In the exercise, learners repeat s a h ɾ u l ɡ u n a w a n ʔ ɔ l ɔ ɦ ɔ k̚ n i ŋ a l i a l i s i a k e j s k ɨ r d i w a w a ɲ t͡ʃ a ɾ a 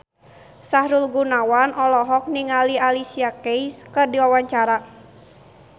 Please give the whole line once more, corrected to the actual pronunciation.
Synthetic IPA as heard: s a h ɾ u l ɡ u n a w a n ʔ ɔ l ɔ ɦ ɔ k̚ n i ŋ a l i a l i s i a k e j s k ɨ r d i w a w a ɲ t͡ʃ a ɾ a